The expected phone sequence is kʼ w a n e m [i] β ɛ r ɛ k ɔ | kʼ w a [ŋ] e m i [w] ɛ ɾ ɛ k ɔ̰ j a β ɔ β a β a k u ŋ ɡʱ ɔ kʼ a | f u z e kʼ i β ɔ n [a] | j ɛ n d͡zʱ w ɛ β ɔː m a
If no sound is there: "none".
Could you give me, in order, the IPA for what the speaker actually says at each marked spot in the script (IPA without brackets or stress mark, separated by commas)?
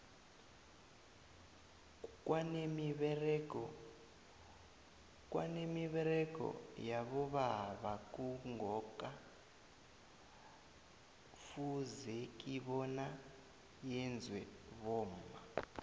i, n, β, a